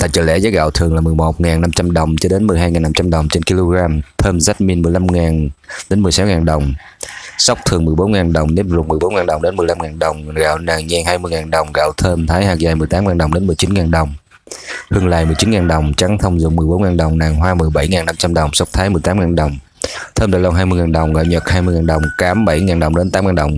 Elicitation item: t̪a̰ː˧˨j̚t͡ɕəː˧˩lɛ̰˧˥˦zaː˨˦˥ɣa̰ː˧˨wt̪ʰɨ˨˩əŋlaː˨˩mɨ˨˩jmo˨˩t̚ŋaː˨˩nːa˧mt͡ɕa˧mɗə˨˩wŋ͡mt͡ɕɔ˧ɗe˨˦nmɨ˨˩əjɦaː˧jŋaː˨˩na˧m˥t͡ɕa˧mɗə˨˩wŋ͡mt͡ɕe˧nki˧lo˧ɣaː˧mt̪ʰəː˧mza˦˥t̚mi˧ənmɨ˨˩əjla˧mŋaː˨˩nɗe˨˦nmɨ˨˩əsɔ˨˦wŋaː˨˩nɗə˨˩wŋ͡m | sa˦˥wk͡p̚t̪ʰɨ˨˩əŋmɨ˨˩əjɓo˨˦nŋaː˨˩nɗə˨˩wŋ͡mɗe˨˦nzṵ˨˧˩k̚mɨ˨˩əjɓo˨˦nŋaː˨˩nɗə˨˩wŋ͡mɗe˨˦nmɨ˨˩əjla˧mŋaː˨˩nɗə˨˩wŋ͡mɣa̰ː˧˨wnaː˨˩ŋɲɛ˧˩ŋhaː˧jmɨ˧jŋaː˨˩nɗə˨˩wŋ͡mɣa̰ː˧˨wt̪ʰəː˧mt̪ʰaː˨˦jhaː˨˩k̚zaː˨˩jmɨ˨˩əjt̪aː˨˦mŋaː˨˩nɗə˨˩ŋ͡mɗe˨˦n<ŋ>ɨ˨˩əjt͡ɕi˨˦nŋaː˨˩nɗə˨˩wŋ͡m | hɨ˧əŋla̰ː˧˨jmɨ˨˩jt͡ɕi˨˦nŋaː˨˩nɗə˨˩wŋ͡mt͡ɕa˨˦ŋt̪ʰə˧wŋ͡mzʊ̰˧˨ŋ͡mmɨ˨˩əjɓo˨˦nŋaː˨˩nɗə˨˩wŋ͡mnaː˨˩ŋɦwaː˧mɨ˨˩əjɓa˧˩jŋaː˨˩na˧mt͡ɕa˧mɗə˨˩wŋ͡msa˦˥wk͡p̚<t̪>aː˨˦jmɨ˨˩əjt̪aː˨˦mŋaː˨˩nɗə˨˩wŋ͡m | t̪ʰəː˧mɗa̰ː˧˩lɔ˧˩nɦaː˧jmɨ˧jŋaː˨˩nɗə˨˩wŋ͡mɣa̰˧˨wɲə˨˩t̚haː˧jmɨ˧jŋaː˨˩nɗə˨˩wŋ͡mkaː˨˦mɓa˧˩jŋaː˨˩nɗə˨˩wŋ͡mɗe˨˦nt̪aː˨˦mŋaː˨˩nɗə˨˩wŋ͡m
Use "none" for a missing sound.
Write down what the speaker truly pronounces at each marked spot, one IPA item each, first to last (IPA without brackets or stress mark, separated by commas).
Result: m, t̪ʰ